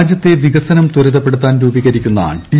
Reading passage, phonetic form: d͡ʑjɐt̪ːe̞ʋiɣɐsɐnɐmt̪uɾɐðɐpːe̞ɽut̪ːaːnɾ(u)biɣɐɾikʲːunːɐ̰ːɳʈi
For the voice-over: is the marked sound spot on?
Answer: no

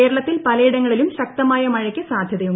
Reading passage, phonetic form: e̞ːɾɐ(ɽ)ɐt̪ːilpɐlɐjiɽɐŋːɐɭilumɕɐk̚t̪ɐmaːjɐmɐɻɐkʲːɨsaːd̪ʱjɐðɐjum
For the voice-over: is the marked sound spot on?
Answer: no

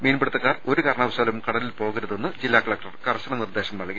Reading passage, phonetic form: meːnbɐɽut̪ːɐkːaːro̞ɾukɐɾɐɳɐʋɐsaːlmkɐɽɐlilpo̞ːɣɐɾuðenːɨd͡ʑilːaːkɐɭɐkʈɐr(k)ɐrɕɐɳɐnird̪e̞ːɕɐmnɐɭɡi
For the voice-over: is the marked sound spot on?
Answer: yes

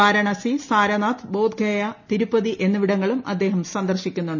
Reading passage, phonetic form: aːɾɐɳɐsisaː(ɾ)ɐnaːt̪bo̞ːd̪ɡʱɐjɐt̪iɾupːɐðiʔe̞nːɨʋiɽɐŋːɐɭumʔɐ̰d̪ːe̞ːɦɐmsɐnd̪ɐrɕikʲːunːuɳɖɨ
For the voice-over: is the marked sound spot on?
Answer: yes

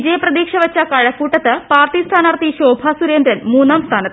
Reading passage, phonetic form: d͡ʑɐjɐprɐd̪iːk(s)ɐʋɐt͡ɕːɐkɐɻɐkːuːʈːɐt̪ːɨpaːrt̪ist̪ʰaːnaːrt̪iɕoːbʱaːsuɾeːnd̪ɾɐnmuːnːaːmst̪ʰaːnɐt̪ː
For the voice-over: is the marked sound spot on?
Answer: no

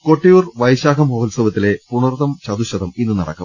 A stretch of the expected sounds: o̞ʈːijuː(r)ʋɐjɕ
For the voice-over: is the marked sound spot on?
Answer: yes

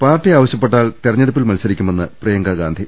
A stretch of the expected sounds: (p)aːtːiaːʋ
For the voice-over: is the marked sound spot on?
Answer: yes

